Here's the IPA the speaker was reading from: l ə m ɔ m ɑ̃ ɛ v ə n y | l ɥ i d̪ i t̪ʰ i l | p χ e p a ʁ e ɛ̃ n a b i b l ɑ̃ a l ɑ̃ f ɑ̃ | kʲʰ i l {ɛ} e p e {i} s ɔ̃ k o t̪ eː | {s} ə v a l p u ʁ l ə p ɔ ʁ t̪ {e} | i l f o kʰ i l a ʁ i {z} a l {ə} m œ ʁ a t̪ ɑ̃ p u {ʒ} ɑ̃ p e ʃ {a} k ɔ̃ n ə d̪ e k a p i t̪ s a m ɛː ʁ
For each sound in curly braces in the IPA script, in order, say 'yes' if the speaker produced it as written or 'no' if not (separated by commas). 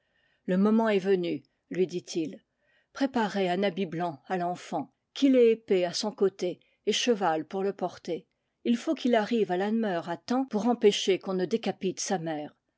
yes, no, no, yes, no, no, no, no